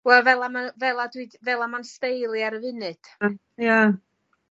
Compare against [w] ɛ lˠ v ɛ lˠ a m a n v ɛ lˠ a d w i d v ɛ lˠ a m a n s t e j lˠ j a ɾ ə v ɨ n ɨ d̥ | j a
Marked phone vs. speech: correct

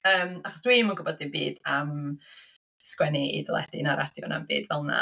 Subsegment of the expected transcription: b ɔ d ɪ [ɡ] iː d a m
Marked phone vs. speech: incorrect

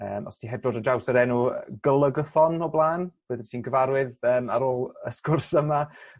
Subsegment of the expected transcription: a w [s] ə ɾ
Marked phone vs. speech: correct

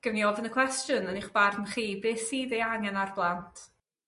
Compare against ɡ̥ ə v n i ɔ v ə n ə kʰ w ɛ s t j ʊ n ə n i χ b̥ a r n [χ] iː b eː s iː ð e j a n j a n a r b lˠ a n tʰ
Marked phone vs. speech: correct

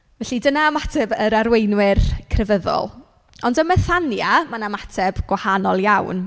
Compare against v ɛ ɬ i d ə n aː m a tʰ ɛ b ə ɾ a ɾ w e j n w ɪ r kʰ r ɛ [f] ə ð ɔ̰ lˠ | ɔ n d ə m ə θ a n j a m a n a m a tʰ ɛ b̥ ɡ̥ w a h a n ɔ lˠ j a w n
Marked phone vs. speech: incorrect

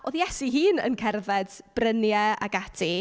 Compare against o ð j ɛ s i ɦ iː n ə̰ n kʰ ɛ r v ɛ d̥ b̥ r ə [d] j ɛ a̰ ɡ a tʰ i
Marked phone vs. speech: incorrect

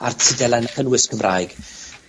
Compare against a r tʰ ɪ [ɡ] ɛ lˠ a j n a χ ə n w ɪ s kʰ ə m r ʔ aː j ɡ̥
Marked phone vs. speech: incorrect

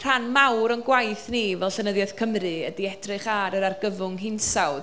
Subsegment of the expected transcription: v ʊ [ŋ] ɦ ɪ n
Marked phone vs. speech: correct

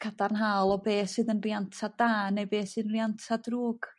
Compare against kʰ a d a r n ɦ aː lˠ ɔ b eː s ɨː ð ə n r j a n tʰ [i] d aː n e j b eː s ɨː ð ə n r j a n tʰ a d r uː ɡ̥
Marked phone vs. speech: incorrect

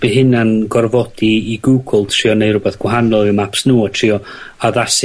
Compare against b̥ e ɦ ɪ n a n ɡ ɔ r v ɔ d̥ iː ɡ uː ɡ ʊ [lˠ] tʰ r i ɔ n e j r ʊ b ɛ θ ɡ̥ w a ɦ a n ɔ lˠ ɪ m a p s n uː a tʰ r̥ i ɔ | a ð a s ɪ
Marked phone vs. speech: correct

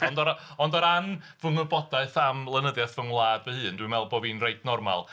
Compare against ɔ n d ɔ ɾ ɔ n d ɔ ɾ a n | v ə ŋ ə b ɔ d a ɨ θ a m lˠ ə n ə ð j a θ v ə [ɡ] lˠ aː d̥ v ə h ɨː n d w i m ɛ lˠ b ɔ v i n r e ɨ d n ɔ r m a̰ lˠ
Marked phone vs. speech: incorrect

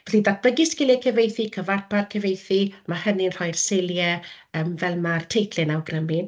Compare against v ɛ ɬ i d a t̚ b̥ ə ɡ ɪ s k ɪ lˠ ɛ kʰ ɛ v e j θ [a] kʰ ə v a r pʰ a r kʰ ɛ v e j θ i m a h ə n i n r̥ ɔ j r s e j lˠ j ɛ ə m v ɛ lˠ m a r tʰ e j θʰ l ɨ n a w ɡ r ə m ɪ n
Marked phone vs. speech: incorrect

